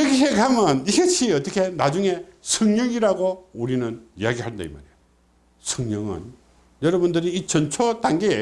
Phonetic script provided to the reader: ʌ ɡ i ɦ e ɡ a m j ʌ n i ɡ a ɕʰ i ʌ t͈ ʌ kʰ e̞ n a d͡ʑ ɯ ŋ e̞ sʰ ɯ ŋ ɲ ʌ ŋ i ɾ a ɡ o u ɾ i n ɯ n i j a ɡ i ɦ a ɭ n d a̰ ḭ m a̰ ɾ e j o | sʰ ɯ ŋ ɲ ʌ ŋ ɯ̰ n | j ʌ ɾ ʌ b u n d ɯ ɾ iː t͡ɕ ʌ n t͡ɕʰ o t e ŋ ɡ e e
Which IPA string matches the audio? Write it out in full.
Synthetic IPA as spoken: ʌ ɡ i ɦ e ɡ a m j ʌ n i ɡ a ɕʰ i ʌ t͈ ʌ kʰ e̞ n a d͡ʑ u ŋ e̞ sʰ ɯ ŋ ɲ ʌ ŋ i ɾ a ɡ o u ɾ i n ɯ n i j a ɡ i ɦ a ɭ n d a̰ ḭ m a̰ ɾ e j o | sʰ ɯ ŋ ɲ ʌ ŋ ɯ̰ n | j ʌ ɾ ʌ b u n d ɯ ɾ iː t͡ɕ ʌ n t͡ɕʰ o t a ŋ ɡ e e

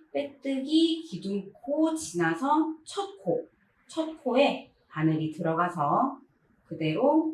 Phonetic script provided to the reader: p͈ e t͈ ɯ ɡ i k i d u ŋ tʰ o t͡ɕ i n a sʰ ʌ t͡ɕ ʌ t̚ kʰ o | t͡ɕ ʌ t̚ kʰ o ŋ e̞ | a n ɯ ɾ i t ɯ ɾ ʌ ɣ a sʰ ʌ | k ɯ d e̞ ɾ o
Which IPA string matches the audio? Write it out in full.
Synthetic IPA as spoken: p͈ e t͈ ɯ ɡ i k i d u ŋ kʰ o t͡ɕ i n a sʰ ʌ t͡ɕʰ ʌ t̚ kʰ o | t͡ɕʰ ʌ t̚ kʰ o e̞ | a n ɯ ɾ i t ɯ ɾ ʌ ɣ a sʰ ʌ | k ɯ d e̞ ɾ o

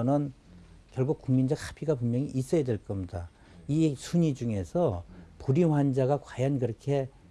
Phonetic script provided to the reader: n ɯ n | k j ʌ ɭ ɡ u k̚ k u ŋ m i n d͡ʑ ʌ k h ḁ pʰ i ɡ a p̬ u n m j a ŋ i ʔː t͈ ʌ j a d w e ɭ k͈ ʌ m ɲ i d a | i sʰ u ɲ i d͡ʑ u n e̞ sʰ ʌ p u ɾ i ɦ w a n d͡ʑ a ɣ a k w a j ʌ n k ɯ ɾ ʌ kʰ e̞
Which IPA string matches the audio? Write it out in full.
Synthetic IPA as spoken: n ɯ n | k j ʌ ɭ ɡ u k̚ k u ŋ m i n d͡ʑ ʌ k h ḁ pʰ i ɡ a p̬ u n m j ʌ ŋ i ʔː s͈ ʌ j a d w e ɭ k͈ ʌ m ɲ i d a | i sʰ u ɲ i d͡ʑ u ŋ e̞ sʰ ʌ p u ɾ i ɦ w a n d͡ʑ a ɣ a k w a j ʌ n k ɯ ɾ ʌ kʰ e̞

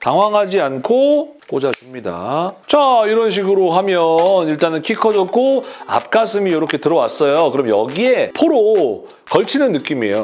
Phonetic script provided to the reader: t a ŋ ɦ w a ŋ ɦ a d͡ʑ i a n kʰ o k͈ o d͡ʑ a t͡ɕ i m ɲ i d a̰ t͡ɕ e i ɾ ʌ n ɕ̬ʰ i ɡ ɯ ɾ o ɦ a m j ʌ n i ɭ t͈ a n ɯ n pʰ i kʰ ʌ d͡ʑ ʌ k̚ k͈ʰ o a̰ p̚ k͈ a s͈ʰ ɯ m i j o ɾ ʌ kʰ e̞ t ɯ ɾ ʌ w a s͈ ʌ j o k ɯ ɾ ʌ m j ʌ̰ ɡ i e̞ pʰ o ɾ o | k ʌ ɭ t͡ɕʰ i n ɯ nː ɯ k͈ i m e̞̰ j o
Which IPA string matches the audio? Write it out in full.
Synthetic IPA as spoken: t a ŋ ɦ w a ŋ ɦ a d͡ʑ i a n kʰ o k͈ o d͡ʑ a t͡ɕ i m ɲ i d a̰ t͡ɕ a i ɾ ʌ n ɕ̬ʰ i ɡ ɯ ɾ o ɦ a m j ʌ n i ɭ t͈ a n ɯ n kʰ i kʰ ʌ d͡ʑ ʌ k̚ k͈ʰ o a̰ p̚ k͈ a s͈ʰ ɯ m i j o ɾ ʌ kʰ e̞ t ɯ ɾ ʌ w a s͈ ʌ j o k ɯ ɾ ʌ m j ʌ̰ ɡ i e̞ pʰ o ɾ o | k ʌ ɭ t͡ɕʰ i n ɯ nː ɯ k͈ i m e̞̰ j o

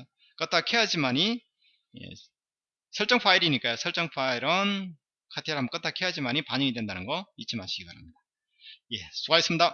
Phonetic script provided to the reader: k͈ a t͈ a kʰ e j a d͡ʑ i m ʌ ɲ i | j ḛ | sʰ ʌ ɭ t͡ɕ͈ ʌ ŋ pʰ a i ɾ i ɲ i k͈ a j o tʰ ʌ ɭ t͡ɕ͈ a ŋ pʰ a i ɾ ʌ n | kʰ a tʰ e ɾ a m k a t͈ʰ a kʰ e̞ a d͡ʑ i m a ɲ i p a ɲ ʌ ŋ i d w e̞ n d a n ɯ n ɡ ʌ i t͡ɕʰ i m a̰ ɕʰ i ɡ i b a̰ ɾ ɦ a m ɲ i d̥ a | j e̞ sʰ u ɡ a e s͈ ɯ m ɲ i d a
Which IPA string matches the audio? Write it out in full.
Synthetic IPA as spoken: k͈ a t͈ a kʰ e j a d͡ʑ i m a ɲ i | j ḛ | sʰ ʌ ɭ t͡ɕ͈ ʌ ŋ pʰ a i ɾ i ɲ i k͈ a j o sʰ ʌ ɭ t͡ɕ͈ ʌ ŋ pʰ a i ɾ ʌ n | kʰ a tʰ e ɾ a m k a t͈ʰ a kʰ e̞ a d͡ʑ i m a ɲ i p a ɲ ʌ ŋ i d w e̞ n d a n ɯ n ɡ ʌ i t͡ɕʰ i m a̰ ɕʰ i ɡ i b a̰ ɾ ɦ a m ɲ i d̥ a | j e̞ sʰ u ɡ a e s͈ ɯ m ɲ i d a

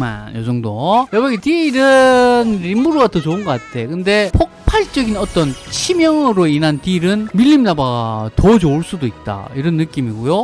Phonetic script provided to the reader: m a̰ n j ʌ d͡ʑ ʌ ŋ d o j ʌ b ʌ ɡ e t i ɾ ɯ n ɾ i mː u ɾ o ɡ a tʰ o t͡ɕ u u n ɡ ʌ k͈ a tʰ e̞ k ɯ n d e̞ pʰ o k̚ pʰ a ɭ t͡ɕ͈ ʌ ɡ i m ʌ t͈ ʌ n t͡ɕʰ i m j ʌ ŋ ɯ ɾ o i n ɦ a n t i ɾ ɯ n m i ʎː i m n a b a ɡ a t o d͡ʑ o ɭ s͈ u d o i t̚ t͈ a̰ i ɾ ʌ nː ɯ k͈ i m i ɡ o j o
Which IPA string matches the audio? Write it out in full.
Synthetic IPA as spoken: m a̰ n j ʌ d͡ʑ ʌ ŋ d o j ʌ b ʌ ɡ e t i ɾ ɯ n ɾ i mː u ɾ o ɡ a tʰ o t͡ɕ o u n ɡ ʌ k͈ a tʰ e̞ k ɯ n d e̞ pʰ o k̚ pʰ a ɭ t͡ɕ͈ ʌ ɡ i n ʌ t͈ ʌ n t͡ɕʰ i m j ʌ ŋ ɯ ɾ o i n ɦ a n t i ɾ ɯ n m i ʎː i m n a b a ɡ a t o d͡ʑ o ɭ s͈ u d o i t̚ t͈ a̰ i ɾ ʌ nː ɯ k͈ i m i ɡ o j o

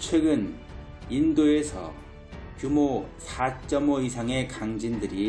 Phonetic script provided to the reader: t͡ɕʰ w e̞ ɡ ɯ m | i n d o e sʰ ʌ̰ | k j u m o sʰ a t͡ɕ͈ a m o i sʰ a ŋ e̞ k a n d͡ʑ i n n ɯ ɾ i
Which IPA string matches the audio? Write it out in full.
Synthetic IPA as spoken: t͡ɕʰ w e̞ ɡ ɯ n | i n d o e sʰ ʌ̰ | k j u m o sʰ a t͡ɕ͈ ʌ m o i sʰ a ŋ e̞ k a ŋ d͡ʑ i n d ɯ ɾ i

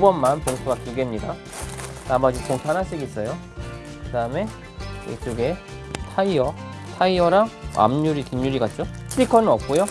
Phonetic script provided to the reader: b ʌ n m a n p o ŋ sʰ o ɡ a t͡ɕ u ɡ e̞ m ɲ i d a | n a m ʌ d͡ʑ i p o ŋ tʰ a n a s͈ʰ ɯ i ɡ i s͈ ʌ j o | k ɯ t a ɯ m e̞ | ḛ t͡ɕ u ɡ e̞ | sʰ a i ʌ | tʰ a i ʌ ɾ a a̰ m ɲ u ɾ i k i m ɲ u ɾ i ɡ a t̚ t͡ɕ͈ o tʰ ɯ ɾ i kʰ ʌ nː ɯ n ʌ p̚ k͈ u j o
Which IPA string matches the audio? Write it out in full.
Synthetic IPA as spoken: b ʌ n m a n p o ŋ sʰ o ɡ a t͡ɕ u ɡ e̞ m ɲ i d a | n a m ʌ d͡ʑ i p o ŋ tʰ a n a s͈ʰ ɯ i ɡ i s͈ ʌ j o | k ɯ d a ɯ m e̞ | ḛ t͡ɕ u ɡ e̞ | tʰ a i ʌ | tʰ a i ʌ ɾ a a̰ m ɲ u ɾ i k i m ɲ u ɾ i ɡ a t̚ t͡ɕ͈ o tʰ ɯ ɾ i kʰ ʌ n ɯ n ʌ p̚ k͈ u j o

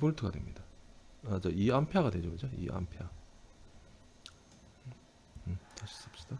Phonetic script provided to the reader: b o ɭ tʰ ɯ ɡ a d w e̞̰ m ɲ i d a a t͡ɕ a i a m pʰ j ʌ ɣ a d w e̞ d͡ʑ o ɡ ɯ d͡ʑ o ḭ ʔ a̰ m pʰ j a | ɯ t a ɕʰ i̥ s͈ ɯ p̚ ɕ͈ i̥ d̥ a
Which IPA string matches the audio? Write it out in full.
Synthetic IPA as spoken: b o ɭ tʰ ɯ ɡ a d w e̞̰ m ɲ i d a a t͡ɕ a i a m pʰ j a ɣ a d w e̞ d͡ʑ o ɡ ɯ d͡ʑ o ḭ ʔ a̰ m pʰ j a | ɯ t a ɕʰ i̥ s͈ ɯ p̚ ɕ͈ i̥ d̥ a

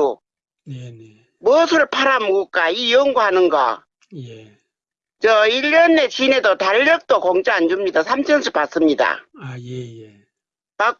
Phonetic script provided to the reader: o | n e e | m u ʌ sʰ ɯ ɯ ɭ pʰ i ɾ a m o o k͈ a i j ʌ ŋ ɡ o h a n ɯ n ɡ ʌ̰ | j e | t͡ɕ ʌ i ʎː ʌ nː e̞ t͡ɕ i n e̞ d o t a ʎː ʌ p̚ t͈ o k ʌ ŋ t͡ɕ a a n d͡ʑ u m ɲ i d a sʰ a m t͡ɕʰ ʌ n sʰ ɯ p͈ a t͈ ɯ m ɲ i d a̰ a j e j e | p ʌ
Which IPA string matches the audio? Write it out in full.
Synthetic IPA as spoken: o | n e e | m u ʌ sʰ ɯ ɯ ɭ pʰ a ɾ a m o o k͈ a i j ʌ ŋ ɡ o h a n ɯ n ɡ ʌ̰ | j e | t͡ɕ ʌ i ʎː ʌ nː e̞ t͡ɕ i n e̞ d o t a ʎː ʌ k̚ t͈ o k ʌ ŋ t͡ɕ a a n d͡ʑ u m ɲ i d a sʰ a m t͡ɕʰ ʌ n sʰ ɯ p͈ a s͈ ɯ m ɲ i d a̰ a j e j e | p a

